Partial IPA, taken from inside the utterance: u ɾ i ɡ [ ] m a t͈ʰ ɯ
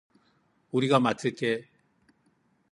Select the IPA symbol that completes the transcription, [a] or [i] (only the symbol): a